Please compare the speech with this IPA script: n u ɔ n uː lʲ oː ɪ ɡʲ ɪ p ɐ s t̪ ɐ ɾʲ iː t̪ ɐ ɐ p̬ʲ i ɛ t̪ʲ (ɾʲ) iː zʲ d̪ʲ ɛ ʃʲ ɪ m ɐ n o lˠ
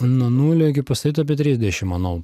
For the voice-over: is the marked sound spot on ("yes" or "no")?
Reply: yes